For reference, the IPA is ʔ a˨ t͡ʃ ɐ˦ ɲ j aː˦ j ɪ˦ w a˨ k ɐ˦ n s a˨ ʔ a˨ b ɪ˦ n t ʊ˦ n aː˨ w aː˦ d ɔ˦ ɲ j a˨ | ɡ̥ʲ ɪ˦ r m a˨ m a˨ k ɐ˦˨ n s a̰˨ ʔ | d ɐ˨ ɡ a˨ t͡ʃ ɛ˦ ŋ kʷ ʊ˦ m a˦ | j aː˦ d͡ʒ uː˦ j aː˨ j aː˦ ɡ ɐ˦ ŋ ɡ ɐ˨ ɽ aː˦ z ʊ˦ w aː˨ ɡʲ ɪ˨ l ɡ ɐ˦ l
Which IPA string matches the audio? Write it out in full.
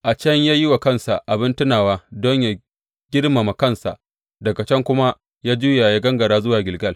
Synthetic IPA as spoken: ʔ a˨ t͡ʃ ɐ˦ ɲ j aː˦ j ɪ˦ w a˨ k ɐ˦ n s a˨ ʔ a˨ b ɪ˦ n t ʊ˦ n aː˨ w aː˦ d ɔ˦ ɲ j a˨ | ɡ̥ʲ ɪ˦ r m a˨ m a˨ k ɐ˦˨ n s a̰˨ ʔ | d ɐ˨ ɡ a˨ t͡ʃ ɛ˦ ŋ kʷ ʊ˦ m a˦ | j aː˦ d͡ʒ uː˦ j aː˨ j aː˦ ɡ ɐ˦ ŋ ɡ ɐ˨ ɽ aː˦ z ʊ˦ w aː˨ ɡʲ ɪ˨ l ɡ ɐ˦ l

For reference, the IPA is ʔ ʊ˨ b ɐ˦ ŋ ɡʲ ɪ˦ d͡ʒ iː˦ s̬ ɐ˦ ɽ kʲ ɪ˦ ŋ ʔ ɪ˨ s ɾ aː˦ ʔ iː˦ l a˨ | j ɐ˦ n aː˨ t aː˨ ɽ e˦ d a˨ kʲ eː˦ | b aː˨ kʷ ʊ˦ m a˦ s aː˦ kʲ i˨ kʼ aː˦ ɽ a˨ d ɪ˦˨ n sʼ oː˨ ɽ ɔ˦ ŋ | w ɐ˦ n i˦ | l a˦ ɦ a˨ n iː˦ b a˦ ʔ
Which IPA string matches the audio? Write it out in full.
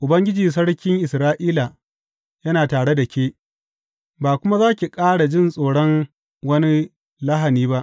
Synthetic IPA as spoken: ʔ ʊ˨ b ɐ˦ ŋ ɡʲ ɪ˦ d͡ʒ iː˨ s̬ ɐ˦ ɽ kʲ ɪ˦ ŋ ʔ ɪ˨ s ɾ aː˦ ʔ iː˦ l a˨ | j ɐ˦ n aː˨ t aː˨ ɽ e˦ d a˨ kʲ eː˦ | b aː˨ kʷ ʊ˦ m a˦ z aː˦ kʲ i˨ kʼ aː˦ ɽ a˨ d͡ʒ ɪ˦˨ n sʼ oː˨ ɽ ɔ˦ ŋ | w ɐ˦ n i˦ | l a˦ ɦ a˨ n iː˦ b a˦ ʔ

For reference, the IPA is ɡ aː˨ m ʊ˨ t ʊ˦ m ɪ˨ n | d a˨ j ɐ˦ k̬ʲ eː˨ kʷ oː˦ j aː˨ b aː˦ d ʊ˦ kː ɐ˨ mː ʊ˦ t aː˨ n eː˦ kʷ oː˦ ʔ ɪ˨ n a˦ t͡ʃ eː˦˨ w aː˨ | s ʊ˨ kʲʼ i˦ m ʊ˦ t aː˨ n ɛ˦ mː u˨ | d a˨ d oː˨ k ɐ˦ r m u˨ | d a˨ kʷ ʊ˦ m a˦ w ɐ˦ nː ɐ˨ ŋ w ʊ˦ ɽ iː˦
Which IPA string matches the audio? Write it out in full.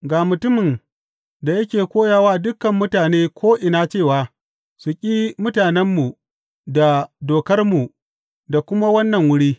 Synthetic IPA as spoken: ɡ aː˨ m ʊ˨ t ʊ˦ m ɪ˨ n | d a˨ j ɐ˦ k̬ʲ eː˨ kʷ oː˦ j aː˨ w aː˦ d ʊ˦ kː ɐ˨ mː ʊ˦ t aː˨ n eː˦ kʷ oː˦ ʔ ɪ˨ n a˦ t͡ʃ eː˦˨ w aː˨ | s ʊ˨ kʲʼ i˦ m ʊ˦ t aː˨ n ɛ˦ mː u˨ | d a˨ d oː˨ k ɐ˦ r m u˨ | d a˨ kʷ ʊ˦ m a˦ w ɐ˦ nː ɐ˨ ŋ w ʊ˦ ɽ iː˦

